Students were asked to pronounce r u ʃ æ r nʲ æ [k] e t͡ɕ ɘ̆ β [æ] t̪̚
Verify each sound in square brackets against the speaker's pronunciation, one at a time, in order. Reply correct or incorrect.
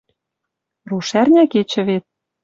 correct, incorrect: e

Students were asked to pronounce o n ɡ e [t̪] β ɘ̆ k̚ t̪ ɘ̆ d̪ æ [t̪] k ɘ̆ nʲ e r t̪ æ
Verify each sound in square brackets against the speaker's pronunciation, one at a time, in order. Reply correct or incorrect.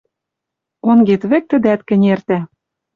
correct, correct

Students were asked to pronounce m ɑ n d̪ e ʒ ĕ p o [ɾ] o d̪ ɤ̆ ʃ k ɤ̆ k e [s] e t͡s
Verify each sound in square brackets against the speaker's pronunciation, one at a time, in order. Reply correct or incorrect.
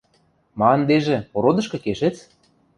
correct, incorrect: ʃ

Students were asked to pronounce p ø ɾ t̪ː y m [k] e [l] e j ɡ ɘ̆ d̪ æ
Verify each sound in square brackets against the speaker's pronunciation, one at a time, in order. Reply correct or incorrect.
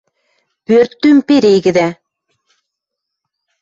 incorrect: p, incorrect: ɾ

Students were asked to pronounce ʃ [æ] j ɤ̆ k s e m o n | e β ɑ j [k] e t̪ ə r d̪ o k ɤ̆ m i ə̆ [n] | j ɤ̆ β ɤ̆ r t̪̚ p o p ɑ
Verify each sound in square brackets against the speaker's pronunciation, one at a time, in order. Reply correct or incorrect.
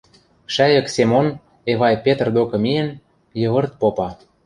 correct, incorrect: p, correct

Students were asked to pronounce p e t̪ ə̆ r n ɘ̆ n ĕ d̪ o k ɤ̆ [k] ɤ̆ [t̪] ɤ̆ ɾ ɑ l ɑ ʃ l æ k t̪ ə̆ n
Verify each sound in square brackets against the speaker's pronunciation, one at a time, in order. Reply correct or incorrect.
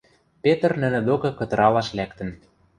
correct, correct

